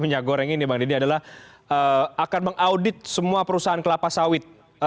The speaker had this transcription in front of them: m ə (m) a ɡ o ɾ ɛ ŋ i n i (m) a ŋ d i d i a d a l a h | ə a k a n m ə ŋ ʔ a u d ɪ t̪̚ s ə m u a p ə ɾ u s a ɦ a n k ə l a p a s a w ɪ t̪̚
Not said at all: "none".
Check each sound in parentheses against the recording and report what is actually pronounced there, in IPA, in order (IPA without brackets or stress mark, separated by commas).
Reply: ɲ, b